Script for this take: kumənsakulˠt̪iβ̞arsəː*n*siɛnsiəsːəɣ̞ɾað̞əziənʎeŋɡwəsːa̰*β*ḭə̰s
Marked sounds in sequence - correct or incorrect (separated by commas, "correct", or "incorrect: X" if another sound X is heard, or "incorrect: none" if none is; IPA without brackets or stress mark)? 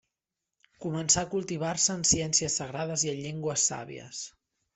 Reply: correct, correct